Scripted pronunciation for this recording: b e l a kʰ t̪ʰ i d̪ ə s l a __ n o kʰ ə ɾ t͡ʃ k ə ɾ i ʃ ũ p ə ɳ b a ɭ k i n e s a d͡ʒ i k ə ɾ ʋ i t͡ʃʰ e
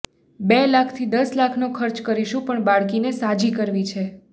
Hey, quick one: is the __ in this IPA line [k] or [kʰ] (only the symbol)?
kʰ